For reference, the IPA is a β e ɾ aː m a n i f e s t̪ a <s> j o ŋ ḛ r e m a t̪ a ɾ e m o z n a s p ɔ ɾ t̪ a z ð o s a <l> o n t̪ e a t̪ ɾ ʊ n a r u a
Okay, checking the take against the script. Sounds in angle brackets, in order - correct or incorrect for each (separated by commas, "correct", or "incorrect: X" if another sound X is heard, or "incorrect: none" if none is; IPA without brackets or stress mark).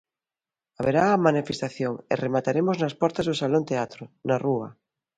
incorrect: θ, correct